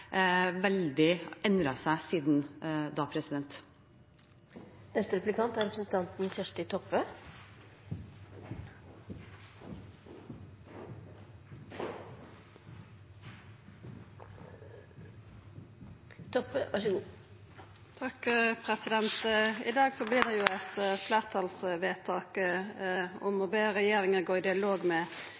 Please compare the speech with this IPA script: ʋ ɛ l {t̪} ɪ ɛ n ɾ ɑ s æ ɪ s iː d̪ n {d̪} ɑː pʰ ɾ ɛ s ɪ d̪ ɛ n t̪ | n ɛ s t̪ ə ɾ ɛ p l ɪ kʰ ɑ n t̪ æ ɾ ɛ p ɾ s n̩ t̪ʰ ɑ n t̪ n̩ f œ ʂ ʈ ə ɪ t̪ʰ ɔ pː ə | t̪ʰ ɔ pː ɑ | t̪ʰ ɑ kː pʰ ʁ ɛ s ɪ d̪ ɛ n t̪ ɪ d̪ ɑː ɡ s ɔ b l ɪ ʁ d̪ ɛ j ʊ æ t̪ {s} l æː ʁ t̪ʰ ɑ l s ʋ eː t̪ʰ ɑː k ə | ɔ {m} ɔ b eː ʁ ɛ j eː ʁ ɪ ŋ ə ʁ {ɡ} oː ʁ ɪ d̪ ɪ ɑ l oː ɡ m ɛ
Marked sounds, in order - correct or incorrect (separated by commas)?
incorrect, correct, incorrect, correct, correct